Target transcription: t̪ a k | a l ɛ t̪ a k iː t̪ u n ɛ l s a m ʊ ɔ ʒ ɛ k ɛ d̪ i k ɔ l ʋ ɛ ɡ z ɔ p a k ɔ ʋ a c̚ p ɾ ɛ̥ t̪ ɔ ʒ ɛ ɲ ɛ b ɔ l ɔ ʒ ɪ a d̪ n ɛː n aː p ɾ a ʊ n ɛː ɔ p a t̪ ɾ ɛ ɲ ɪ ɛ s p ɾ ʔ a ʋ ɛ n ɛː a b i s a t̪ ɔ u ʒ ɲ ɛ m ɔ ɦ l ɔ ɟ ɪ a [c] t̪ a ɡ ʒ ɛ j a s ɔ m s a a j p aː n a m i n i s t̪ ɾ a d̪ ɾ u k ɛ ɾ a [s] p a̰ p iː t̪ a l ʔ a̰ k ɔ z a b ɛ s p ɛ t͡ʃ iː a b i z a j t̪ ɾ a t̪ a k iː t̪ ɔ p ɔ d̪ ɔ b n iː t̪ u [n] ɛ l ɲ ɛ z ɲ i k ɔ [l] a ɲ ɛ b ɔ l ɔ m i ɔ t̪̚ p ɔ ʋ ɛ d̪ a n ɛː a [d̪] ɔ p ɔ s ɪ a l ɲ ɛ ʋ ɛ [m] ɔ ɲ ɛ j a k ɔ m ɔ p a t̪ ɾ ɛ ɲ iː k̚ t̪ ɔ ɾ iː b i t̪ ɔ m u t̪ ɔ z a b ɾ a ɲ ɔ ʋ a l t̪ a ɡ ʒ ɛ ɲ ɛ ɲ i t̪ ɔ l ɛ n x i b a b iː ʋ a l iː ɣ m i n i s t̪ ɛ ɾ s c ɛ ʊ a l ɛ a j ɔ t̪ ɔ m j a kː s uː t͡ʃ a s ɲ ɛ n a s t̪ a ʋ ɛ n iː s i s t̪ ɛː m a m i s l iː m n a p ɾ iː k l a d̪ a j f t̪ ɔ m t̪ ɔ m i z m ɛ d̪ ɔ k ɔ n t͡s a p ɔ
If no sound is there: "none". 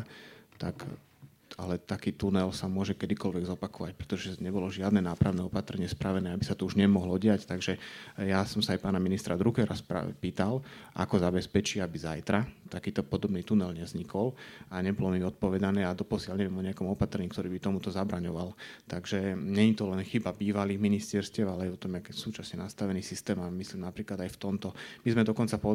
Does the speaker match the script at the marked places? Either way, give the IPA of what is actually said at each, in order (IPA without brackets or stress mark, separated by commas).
c, s, n, l, d̪, m